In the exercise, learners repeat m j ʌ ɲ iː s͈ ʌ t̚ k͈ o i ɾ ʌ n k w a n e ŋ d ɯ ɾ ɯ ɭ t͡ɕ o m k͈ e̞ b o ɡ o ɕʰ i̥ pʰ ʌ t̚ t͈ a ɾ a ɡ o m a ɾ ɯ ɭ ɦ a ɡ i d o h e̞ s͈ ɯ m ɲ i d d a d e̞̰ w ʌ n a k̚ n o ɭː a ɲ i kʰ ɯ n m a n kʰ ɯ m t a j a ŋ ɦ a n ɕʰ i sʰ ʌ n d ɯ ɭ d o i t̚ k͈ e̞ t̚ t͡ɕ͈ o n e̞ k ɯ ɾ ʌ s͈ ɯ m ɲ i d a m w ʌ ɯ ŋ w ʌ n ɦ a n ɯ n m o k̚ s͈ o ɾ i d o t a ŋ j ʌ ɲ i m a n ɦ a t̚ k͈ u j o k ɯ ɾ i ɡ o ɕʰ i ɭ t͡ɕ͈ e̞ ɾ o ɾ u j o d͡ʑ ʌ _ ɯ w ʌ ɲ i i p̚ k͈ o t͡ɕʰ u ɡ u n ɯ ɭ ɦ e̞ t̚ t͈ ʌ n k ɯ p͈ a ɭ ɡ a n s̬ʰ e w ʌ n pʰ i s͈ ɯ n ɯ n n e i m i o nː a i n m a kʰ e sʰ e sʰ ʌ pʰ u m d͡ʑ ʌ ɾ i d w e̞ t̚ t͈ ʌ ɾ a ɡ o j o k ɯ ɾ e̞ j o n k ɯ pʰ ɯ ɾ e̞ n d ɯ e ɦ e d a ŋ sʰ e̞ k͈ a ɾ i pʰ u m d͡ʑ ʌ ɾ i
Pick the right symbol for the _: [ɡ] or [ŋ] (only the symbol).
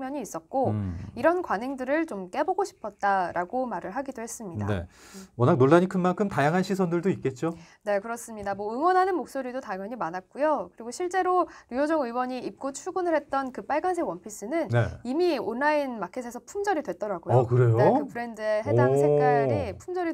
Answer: ŋ